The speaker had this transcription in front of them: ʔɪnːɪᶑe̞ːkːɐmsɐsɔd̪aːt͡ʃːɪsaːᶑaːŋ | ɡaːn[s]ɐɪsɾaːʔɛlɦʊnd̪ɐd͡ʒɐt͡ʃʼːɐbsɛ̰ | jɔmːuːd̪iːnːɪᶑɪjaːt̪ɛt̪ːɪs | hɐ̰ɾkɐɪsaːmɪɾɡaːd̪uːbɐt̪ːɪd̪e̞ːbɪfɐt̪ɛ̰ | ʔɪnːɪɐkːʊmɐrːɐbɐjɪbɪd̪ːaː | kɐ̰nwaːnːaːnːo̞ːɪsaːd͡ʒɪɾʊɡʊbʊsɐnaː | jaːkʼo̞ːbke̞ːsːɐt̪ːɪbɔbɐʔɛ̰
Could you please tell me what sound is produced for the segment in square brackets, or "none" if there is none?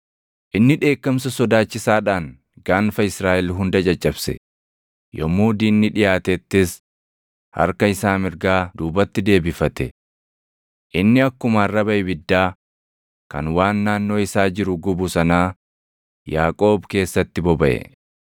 f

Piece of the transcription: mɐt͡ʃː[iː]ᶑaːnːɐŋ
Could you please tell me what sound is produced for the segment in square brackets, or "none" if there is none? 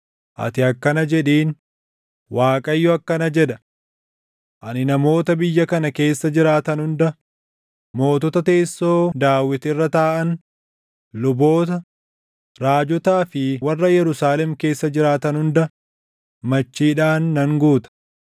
iː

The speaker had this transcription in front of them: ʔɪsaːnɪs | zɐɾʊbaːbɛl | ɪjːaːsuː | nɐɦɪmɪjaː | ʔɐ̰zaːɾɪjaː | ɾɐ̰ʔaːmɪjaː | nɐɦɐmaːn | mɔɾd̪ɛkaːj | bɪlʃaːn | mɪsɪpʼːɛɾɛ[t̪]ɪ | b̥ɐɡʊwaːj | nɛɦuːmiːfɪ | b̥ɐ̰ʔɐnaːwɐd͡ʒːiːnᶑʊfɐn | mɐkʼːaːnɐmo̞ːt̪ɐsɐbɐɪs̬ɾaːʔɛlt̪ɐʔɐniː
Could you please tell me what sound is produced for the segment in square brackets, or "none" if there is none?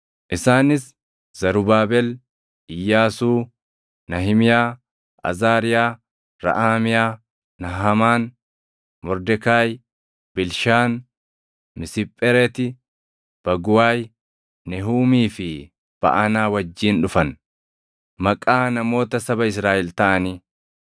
t̪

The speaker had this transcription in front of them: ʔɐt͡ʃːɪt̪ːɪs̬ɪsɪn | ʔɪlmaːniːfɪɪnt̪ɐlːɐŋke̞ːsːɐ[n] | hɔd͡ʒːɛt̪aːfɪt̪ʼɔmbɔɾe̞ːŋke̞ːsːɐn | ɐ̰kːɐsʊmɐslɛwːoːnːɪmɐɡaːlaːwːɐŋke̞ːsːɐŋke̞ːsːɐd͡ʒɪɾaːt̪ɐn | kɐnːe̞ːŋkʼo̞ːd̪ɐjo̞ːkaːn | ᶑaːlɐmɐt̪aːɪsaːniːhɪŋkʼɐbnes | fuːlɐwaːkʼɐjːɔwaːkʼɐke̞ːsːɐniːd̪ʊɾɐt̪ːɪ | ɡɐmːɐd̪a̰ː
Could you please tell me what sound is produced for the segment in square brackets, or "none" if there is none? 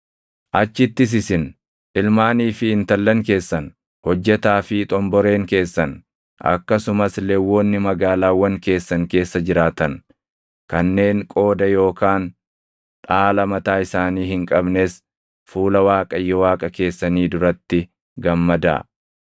n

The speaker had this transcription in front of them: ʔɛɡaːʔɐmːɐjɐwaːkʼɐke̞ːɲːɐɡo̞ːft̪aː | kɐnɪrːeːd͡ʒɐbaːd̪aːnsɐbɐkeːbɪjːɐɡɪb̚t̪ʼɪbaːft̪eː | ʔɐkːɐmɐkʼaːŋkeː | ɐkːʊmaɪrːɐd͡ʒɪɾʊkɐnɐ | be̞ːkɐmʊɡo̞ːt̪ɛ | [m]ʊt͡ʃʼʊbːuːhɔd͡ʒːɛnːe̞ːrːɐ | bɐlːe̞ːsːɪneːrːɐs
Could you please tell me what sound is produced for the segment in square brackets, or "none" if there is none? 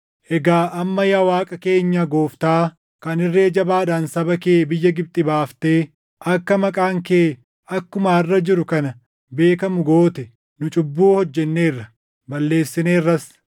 n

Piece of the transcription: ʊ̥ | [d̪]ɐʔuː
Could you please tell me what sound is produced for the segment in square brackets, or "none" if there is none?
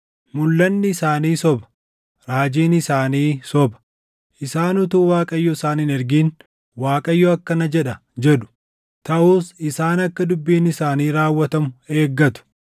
t̪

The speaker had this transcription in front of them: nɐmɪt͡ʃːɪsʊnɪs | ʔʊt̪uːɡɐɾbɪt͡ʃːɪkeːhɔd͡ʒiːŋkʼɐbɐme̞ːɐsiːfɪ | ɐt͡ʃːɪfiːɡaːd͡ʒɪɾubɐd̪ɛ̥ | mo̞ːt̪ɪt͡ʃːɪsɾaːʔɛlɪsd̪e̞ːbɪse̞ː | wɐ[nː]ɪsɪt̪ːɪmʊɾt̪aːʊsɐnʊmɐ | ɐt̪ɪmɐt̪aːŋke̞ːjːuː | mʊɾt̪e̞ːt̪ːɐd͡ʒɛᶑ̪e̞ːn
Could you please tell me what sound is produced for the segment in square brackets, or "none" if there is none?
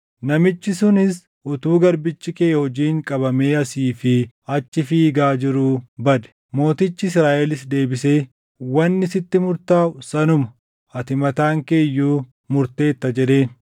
nː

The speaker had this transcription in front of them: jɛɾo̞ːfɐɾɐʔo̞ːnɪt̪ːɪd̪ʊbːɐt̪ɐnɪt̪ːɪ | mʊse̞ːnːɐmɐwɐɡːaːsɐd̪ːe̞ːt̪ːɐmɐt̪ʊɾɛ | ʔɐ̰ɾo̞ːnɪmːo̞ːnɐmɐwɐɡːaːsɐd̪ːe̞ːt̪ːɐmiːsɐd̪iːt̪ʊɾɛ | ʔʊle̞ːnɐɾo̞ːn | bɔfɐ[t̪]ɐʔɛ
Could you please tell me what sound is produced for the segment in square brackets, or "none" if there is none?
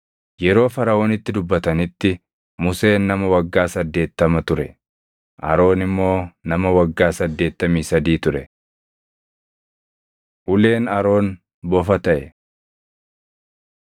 t̪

